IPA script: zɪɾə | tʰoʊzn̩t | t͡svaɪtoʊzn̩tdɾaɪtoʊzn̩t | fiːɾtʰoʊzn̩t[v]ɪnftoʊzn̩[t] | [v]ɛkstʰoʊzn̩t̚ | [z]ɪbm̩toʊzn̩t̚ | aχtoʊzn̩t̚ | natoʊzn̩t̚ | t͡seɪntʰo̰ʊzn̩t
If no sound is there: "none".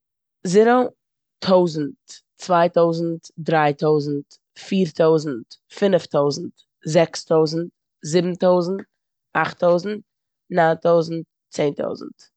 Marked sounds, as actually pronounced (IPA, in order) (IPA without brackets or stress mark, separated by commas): f, t, z, z